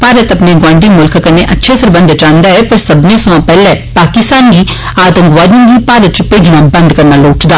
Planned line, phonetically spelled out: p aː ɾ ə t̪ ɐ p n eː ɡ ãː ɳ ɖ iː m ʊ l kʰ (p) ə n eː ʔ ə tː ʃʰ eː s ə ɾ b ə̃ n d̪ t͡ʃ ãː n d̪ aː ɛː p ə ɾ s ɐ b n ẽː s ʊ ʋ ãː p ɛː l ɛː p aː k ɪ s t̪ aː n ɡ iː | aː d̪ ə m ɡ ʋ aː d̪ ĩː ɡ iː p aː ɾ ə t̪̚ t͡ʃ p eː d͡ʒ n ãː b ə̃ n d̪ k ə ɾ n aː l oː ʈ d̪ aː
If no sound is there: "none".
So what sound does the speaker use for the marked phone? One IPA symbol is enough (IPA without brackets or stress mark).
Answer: k